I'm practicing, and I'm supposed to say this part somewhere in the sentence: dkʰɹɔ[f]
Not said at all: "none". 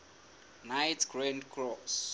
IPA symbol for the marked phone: s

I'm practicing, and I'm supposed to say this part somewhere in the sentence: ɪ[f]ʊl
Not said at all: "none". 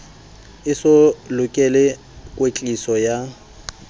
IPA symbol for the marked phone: s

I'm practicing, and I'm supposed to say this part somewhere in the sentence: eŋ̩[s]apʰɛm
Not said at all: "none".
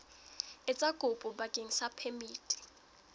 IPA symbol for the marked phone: s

